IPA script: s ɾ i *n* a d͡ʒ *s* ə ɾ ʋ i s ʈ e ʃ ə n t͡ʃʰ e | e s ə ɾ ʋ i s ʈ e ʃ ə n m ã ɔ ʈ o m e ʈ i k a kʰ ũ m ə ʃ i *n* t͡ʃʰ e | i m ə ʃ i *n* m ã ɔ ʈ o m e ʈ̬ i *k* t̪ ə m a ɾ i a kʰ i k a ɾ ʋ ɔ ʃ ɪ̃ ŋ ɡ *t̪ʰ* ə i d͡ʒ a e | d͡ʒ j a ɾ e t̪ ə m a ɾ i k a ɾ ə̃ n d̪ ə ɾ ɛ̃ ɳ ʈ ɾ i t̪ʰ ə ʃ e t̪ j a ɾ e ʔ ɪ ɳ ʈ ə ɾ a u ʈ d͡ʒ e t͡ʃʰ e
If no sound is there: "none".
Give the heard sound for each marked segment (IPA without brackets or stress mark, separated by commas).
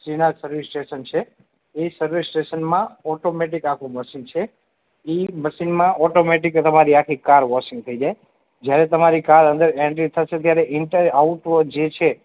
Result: n, s, n, n, k, t̪ʰ